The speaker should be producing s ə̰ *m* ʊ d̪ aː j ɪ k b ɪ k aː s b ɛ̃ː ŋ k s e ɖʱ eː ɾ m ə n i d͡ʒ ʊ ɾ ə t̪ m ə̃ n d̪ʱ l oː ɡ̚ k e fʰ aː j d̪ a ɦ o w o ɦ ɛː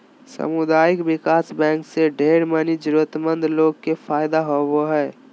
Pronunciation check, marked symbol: correct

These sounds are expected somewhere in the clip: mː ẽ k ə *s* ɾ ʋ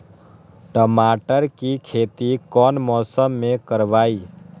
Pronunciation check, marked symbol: incorrect: none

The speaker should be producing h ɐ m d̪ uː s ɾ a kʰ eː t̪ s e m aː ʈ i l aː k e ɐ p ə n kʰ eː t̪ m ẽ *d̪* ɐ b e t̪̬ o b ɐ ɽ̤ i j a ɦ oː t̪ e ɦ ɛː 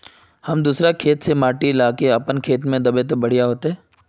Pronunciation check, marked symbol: correct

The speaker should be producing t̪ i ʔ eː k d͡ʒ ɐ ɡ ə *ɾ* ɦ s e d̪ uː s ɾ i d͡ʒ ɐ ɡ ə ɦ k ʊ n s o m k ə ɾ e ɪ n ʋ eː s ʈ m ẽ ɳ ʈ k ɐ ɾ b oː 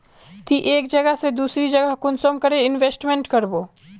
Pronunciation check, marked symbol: incorrect: none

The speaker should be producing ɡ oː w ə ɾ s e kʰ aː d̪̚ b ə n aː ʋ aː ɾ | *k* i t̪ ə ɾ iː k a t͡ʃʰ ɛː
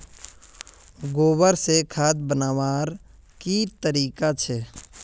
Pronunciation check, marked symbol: correct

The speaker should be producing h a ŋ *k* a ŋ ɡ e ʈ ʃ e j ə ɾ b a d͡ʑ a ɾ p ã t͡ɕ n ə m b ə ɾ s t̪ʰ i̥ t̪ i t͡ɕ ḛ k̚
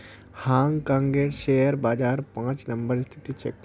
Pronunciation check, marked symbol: correct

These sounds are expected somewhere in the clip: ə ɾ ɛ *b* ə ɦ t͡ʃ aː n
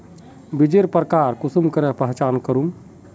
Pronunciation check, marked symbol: incorrect: p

